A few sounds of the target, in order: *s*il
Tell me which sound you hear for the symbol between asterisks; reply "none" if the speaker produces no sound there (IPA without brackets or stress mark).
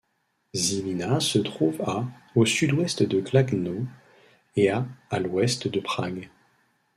z